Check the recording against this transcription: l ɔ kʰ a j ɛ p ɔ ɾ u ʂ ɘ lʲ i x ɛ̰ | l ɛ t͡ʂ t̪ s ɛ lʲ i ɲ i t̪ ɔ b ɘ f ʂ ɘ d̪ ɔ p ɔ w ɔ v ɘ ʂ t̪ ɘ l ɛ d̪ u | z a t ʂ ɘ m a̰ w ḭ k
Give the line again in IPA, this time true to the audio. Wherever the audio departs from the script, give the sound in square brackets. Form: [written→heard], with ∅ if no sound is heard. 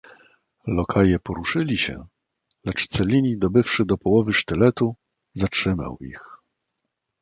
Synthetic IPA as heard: l ɔ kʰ a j ɛ p ɔ ɾ u ʂ ɘ lʲ i [x→ɕ] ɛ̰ | l ɛ t͡ʂ t̪ s ɛ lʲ i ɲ i [t̪→d̪] ɔ b ɘ f ʂ ɘ d̪ ɔ p ɔ w ɔ v ɘ ʂ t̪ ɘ l ɛ [d̪→t̪] u | z a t ʂ ɘ m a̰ w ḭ [k→x]